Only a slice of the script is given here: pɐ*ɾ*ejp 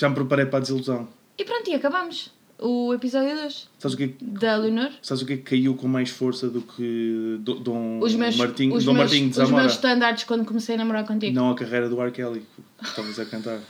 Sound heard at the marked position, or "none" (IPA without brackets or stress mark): ɾ